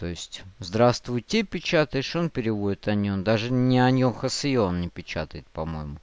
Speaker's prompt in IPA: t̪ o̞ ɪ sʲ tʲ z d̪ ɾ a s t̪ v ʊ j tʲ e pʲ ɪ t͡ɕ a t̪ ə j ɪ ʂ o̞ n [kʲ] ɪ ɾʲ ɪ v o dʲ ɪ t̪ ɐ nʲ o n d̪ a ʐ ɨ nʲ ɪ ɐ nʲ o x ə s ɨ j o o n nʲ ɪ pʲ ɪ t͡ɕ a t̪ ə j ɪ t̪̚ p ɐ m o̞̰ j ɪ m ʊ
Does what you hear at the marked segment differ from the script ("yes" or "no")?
yes